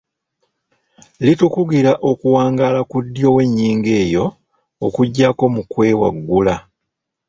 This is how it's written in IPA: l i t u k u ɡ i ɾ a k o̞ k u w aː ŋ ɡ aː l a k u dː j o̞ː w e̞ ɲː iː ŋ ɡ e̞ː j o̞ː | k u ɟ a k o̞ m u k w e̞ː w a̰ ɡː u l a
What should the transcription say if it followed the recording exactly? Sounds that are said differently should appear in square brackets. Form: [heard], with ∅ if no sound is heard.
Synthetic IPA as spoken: l i t u k u ɡ i ɾ a [ʔ] o̞ k u w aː ŋ ɡ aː l a k u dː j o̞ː w e̞ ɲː iː ŋ ɡ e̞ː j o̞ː | k u [ɟː] a k o̞ m u k w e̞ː w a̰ ɡː u l a